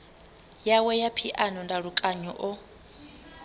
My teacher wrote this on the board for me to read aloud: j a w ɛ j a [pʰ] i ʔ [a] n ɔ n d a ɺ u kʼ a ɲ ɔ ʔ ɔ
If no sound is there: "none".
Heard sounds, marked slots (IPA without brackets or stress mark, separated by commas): pʰ, a